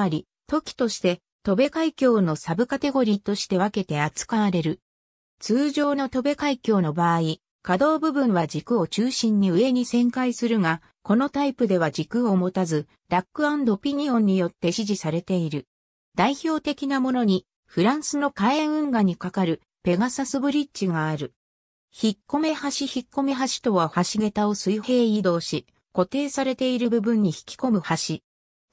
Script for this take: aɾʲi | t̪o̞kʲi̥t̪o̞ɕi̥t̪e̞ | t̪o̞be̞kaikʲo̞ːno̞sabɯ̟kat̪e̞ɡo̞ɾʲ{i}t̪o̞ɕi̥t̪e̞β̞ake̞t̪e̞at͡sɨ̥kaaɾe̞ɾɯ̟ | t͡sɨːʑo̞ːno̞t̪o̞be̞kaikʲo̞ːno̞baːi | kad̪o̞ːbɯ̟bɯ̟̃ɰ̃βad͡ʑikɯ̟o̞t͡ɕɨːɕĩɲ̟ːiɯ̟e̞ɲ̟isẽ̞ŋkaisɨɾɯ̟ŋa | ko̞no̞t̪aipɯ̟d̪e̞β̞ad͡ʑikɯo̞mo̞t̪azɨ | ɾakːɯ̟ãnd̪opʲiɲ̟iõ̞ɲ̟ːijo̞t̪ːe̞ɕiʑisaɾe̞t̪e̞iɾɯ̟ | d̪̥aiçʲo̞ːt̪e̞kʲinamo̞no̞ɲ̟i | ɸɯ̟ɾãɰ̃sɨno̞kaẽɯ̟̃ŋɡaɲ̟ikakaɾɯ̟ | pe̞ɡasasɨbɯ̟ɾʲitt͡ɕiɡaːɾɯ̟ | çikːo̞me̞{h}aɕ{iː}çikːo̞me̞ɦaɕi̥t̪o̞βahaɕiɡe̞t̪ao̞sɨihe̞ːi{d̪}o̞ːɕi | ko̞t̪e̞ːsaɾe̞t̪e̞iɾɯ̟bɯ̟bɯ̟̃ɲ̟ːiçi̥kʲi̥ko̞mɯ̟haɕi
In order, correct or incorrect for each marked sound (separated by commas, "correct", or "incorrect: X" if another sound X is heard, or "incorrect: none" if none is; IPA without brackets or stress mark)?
incorrect: iː, correct, incorrect: i, correct